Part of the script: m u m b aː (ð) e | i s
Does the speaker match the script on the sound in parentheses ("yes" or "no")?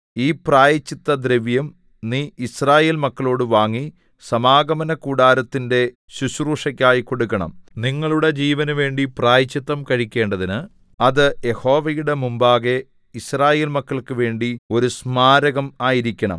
no